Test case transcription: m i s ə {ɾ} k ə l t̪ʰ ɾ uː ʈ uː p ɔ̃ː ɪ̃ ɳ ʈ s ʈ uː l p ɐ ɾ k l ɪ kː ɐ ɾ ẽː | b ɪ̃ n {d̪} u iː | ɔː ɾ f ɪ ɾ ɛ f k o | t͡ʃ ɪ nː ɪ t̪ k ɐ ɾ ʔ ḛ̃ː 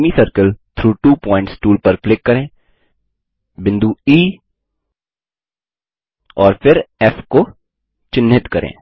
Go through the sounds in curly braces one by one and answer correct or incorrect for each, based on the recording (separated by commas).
correct, correct